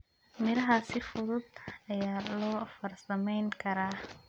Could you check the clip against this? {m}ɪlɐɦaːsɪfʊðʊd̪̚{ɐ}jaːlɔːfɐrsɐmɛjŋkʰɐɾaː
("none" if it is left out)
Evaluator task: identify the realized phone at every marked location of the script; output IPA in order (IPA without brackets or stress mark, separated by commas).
m, ɐ